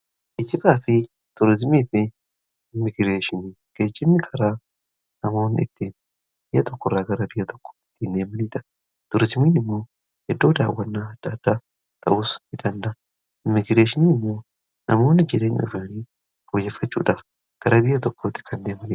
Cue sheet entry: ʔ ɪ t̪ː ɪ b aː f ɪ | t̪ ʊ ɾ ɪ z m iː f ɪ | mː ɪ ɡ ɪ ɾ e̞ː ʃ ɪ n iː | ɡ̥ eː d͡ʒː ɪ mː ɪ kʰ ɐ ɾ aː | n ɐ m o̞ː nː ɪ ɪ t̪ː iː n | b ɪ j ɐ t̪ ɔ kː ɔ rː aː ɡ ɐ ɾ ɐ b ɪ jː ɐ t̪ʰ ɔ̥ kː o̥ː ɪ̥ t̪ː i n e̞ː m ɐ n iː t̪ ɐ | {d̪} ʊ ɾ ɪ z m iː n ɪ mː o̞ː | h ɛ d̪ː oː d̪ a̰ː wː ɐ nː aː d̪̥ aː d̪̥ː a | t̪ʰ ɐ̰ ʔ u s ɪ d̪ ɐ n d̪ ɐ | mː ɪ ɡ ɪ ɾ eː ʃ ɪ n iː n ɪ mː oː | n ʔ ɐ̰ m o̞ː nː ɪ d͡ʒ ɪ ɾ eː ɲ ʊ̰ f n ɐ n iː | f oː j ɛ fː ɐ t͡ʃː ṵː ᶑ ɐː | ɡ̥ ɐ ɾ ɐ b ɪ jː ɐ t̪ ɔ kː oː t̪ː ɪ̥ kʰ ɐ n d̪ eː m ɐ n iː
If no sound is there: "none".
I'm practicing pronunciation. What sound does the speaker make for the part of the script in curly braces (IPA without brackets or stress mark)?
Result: t̪